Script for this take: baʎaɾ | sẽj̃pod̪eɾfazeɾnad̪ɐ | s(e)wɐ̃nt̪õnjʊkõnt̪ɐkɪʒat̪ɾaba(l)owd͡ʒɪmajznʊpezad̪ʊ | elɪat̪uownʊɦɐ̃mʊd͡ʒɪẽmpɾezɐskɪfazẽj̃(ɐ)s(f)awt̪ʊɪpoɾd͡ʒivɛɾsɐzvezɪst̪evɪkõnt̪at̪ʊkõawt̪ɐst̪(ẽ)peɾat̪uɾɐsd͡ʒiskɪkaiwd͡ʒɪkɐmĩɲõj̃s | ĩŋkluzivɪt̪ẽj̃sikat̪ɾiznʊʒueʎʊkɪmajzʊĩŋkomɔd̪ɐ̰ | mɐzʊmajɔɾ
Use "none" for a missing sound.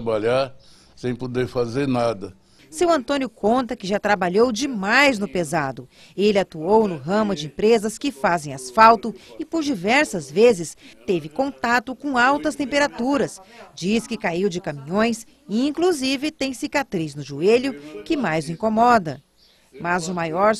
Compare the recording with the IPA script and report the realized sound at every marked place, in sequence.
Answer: e, ʎ, a, f, ẽ

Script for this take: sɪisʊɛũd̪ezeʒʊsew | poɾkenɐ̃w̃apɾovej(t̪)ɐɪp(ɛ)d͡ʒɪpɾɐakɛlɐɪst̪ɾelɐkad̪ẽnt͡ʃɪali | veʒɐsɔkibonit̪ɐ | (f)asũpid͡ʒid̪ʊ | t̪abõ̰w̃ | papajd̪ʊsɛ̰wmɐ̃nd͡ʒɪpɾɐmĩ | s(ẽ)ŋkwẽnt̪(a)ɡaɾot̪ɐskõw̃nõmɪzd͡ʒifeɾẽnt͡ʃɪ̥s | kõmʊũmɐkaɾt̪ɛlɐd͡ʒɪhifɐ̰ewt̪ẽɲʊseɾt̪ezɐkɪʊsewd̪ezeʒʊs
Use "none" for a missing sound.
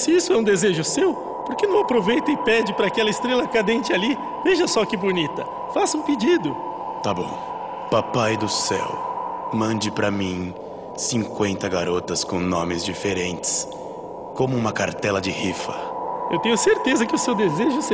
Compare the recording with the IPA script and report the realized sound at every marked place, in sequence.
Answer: t̪, ɛ, f, ĩ, ɐ

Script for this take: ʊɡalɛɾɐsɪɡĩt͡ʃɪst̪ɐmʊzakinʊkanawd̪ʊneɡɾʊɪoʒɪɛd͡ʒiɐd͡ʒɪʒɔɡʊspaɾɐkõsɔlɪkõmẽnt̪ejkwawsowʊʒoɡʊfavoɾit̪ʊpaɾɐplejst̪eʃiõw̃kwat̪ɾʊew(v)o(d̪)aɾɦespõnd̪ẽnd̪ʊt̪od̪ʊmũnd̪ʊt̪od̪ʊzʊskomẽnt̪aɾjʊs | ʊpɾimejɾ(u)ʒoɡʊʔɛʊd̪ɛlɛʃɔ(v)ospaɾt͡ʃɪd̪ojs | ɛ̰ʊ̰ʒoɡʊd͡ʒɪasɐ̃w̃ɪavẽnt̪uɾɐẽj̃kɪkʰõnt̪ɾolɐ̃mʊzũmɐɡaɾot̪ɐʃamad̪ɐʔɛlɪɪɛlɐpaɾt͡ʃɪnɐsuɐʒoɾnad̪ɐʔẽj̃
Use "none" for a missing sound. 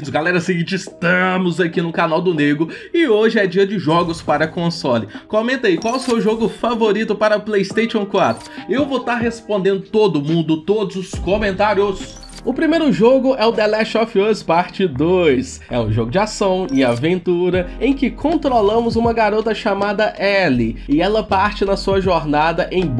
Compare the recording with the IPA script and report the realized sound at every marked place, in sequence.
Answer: v, t̪, ʊ, f

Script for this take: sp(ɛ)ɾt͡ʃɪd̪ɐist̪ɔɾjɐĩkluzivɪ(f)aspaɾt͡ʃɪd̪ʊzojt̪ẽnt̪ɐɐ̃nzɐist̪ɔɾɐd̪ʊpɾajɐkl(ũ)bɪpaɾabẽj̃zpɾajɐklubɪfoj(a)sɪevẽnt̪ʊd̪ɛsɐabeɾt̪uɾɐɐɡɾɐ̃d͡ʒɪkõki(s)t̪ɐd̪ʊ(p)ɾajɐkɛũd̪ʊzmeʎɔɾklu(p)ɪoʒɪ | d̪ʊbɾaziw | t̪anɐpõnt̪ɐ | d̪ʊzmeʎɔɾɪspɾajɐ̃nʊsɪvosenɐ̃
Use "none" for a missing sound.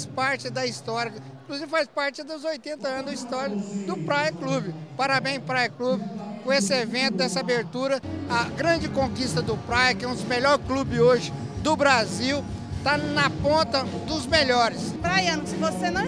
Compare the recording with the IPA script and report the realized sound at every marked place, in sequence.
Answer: a, f, u, e, s, p, b

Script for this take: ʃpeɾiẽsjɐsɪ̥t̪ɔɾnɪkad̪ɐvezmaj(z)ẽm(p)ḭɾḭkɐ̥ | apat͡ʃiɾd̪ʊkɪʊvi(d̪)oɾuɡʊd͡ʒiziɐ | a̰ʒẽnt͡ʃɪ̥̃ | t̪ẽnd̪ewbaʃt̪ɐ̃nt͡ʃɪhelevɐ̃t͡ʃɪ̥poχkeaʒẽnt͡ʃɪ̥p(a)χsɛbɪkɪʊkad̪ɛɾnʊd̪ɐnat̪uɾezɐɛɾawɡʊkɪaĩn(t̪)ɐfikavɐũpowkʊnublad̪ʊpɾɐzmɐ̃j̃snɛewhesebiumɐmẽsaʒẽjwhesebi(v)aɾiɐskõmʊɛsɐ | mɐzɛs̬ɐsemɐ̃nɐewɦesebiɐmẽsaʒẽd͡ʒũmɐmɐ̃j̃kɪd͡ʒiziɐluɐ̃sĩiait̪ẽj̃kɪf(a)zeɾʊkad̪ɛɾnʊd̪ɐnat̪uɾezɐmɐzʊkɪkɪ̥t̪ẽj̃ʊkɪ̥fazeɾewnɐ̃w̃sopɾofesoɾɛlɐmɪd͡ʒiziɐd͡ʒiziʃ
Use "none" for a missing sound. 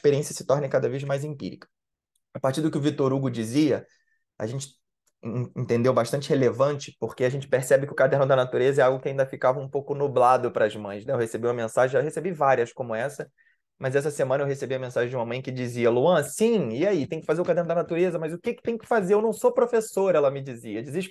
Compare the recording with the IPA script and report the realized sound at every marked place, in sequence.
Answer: z, p, t̪, e, d̪, v, a

